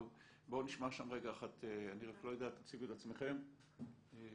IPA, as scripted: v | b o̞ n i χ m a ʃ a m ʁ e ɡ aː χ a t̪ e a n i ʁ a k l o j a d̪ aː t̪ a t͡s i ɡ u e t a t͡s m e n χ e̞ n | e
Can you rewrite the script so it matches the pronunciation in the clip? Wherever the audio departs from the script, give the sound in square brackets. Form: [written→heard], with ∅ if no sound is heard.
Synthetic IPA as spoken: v | b o̞ n i [χ→ʃ] m a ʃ a m ʁ e ɡ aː χ a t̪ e a n i ʁ a k l o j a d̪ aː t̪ a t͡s i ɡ u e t a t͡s m e [n→∅] χ e̞ [n→m] | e